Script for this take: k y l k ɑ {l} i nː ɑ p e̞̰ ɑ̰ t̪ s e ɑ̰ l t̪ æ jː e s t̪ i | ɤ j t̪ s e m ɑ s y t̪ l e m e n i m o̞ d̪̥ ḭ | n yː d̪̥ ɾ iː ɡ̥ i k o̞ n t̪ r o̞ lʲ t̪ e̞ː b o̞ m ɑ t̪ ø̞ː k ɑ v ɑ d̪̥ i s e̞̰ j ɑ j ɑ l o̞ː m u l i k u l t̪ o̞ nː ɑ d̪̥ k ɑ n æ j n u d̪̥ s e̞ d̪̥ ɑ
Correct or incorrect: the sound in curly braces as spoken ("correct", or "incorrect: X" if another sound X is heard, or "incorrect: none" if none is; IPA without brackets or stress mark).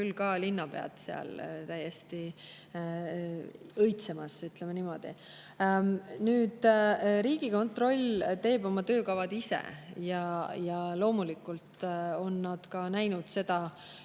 correct